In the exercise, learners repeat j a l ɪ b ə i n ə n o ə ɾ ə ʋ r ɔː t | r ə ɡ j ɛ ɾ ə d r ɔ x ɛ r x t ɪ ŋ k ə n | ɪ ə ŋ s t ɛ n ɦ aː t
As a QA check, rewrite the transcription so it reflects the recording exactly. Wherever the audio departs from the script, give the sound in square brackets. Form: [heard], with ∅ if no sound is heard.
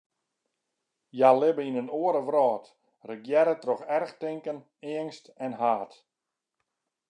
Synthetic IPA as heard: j a l ɪ b ə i n ə n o ə ɾ ə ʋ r ɔː t | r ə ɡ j ɛ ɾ ə [t] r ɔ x ɛ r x t ɪ ŋ k ə n | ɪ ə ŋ s t ɛ n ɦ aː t